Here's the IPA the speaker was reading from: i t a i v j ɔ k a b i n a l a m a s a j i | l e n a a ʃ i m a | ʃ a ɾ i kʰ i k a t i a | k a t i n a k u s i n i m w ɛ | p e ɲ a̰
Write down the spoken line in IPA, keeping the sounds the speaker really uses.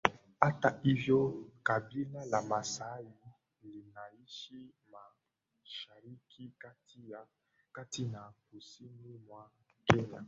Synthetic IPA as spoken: a t a i v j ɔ k a b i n a l a m a s a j i | l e n a i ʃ i m a | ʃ a ɾ i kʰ i k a t i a | k a t i n a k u s i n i m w a | k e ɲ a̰